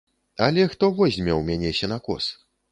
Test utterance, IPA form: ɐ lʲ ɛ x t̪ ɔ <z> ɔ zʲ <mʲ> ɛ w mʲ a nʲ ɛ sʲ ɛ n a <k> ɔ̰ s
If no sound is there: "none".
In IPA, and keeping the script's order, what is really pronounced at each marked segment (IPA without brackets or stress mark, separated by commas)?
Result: v, mʲ, k